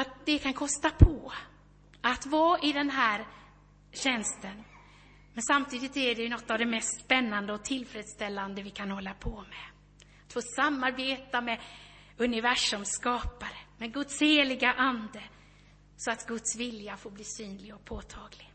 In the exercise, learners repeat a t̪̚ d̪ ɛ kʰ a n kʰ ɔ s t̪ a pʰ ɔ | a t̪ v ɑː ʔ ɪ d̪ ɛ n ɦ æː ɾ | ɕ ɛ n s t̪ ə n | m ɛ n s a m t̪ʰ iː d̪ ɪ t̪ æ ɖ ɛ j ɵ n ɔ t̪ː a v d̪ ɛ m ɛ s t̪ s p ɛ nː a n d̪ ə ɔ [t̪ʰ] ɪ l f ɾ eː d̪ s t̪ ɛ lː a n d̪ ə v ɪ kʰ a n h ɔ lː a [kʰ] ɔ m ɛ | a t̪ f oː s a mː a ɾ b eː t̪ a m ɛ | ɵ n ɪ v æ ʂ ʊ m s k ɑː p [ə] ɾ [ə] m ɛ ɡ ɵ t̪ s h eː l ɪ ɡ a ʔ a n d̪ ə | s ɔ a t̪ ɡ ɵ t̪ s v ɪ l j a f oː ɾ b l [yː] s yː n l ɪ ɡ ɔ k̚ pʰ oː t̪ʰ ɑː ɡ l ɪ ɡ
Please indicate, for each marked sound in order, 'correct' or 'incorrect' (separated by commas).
correct, incorrect, incorrect, correct, incorrect